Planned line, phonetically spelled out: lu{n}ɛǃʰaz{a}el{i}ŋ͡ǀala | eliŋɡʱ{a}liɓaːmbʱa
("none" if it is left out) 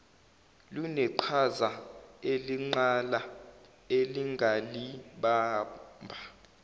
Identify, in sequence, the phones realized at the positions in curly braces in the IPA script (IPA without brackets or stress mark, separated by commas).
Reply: n, a, i, a